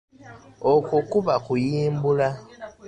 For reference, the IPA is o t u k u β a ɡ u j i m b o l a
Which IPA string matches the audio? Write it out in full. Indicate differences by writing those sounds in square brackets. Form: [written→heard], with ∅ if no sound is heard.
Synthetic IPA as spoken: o [t→k] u k u β a [ɡ→k] u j [i→iː] m b [o→u] l a